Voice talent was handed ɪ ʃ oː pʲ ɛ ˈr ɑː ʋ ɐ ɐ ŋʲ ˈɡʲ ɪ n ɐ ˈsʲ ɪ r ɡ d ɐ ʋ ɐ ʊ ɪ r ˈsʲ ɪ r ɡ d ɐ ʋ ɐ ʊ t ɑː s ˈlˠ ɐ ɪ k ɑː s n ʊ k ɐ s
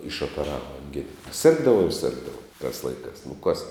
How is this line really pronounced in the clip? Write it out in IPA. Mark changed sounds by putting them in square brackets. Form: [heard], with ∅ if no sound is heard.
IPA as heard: ɪ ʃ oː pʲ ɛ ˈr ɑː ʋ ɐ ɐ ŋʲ ˈɡʲ ɪ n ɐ ˈsʲ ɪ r ɡ d ɐ ʋ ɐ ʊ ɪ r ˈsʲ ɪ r ɡ d ɐ ʋ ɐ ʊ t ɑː s ˈlˠ ɐ ɪ k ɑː s n ʊ k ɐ s